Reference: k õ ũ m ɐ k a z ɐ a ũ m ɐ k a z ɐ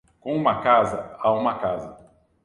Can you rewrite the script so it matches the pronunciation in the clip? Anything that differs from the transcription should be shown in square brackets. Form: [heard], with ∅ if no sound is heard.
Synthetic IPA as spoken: k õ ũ m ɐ k a z ɐ a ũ m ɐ k a z ɐ